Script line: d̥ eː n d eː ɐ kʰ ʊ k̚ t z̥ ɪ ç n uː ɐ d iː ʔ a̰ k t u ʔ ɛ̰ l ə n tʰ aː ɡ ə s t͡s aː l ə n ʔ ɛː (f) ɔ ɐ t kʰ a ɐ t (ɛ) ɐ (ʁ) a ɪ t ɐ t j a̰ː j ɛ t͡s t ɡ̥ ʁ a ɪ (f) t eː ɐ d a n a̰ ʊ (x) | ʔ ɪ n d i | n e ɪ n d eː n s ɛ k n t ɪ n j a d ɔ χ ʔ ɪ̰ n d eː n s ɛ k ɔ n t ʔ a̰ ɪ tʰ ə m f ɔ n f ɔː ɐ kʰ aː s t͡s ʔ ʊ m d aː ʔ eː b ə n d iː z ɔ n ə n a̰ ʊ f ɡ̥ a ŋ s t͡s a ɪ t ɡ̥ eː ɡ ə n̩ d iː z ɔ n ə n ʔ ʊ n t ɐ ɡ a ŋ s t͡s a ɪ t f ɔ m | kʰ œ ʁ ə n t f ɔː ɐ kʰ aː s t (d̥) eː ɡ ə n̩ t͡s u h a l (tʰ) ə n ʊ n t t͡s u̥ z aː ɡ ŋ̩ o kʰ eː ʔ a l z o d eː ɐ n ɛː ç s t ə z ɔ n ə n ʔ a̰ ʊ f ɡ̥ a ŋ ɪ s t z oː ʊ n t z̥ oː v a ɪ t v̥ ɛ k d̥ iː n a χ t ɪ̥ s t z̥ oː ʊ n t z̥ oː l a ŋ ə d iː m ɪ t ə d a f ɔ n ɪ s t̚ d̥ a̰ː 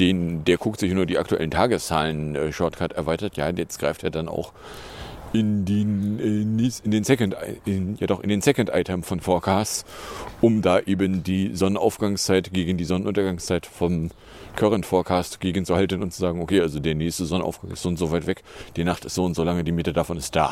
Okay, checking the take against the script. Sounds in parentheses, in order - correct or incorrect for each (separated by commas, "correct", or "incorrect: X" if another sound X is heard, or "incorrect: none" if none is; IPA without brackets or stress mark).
incorrect: ʃ, correct, incorrect: v, correct, correct, incorrect: ɡ̥, incorrect: t